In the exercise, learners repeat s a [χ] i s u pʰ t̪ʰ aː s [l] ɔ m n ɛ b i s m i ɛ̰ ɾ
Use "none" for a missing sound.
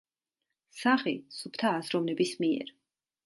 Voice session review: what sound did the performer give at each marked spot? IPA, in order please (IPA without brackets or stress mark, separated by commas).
χ, ɾ